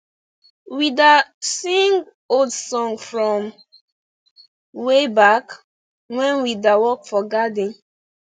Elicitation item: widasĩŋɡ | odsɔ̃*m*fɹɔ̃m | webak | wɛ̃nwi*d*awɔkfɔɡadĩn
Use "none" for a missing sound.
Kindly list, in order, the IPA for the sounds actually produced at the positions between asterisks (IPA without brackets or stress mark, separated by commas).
ŋ, d